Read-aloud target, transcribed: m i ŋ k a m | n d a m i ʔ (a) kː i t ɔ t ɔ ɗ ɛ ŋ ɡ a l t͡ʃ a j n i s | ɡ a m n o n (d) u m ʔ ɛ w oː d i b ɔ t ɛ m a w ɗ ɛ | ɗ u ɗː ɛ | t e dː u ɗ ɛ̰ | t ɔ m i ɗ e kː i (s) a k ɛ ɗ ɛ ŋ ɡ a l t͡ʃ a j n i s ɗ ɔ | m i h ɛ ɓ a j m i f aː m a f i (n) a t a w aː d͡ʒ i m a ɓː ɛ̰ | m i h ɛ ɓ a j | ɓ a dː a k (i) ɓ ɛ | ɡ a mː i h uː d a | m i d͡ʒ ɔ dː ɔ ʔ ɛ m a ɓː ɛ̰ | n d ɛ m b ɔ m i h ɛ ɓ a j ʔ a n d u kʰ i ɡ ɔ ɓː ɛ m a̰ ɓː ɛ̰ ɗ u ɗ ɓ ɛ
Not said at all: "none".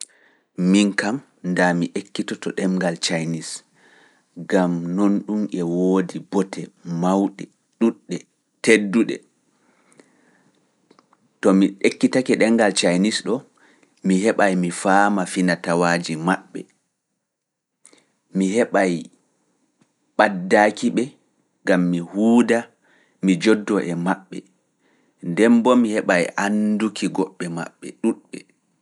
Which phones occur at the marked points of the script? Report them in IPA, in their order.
e, ɗ, t, n, i

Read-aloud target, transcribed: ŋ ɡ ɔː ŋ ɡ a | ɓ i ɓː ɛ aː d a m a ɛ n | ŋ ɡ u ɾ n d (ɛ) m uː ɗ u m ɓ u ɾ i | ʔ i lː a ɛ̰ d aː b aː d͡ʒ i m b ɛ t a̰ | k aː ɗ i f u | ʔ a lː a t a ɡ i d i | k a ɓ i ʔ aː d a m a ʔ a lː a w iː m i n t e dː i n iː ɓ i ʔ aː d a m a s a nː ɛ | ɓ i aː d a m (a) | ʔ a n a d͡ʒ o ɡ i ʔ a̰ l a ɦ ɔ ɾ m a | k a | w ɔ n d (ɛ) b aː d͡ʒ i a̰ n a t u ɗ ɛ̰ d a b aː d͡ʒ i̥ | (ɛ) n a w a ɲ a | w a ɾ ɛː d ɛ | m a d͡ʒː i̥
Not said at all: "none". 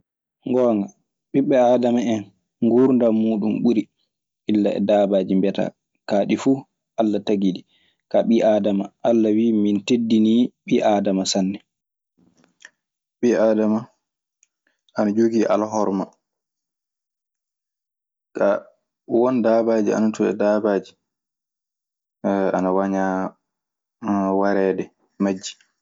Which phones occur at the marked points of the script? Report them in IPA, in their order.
a, a, a, a

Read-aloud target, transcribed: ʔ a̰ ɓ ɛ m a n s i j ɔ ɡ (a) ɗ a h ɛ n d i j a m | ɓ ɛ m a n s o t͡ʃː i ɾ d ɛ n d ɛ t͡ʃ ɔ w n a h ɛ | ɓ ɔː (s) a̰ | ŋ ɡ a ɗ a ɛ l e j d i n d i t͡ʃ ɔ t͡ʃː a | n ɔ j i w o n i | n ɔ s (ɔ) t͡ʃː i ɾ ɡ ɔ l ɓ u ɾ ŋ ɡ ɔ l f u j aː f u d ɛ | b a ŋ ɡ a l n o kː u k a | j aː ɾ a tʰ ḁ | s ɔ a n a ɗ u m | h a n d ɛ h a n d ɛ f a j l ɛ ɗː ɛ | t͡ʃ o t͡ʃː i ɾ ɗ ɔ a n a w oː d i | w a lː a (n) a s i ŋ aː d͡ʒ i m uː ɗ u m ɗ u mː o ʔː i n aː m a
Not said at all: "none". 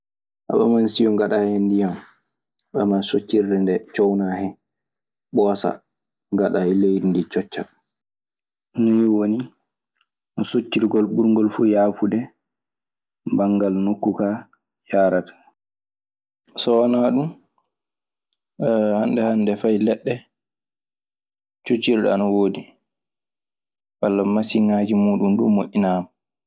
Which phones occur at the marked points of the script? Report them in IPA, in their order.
a, s, o, m

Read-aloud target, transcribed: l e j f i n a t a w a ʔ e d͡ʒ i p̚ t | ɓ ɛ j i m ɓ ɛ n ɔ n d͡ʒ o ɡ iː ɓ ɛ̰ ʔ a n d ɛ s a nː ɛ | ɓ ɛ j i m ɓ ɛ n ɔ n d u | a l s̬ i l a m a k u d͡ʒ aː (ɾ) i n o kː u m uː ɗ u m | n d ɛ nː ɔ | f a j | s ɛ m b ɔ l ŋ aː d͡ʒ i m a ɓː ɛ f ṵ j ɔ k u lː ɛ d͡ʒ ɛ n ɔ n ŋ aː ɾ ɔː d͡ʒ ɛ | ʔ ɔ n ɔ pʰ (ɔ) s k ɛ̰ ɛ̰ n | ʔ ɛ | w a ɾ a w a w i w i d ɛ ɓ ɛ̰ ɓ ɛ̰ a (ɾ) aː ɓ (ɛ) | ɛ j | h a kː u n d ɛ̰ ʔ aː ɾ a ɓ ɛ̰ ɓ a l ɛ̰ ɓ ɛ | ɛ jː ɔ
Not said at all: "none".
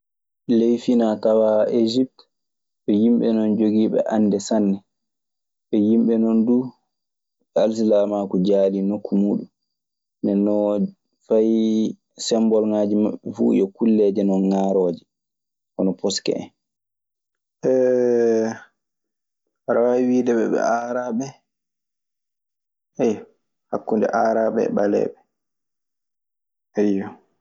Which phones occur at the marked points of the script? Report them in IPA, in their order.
l, ɔ, ɾ, ɛ

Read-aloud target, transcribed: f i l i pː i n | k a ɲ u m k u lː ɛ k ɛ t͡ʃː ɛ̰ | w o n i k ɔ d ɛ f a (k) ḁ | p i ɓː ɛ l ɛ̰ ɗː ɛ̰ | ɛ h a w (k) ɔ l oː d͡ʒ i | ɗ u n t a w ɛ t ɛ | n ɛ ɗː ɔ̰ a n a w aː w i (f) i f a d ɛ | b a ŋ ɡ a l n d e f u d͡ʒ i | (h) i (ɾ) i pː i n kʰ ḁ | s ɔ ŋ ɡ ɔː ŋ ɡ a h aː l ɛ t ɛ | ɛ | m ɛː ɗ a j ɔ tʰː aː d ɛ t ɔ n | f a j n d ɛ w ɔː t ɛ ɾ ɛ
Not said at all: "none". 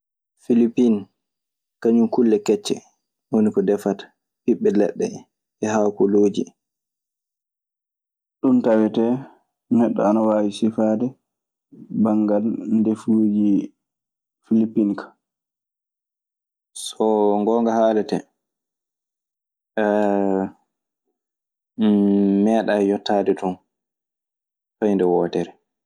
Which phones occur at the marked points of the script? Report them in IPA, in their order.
t, k, s, f, l

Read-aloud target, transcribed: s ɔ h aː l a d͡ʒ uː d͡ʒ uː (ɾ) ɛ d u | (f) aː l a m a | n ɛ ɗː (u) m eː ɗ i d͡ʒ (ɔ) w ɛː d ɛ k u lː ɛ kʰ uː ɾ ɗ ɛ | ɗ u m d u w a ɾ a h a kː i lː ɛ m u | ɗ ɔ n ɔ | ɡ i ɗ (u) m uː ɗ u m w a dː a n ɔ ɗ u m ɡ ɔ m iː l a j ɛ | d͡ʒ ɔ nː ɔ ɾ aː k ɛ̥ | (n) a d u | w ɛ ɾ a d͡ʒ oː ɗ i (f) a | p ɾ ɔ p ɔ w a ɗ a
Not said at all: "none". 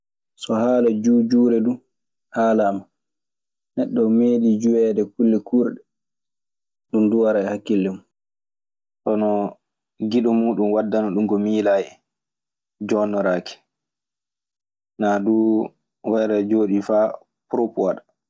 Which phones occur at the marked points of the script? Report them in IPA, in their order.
ɾ, h, ɔ, u, ɔ, n, f

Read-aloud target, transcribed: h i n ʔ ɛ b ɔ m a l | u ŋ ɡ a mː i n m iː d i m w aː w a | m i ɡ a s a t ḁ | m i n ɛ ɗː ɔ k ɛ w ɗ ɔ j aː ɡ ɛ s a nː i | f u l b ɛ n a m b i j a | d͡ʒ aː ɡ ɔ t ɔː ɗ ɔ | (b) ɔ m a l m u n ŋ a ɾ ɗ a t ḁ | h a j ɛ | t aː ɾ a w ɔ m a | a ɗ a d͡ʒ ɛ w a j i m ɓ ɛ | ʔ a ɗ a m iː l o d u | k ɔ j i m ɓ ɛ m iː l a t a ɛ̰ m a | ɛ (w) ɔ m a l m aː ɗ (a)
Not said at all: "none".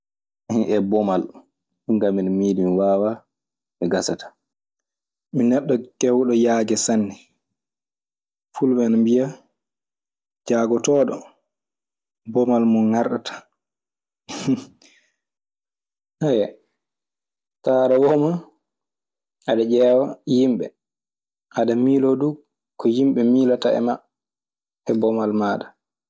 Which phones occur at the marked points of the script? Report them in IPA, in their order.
b, b, a

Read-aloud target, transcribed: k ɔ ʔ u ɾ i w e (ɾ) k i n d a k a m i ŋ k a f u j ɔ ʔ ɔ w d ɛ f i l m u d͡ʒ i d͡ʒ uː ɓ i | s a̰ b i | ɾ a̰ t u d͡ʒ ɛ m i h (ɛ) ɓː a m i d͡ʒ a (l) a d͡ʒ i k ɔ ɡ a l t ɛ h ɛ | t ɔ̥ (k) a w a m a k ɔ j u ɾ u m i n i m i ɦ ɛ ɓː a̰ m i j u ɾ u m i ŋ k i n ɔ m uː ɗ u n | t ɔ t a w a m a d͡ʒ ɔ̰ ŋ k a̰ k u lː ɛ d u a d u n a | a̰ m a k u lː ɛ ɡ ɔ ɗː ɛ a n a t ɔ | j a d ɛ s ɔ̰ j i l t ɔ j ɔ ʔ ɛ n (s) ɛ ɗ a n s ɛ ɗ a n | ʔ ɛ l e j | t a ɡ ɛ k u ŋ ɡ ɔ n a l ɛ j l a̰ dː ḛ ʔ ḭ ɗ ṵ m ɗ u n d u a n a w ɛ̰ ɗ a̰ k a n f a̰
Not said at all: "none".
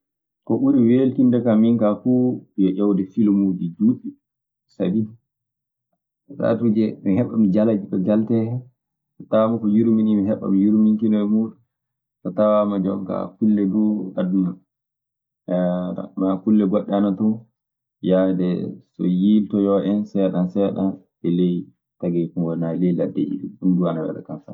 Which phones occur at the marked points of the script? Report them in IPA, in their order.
l, ɛ, l, t, s

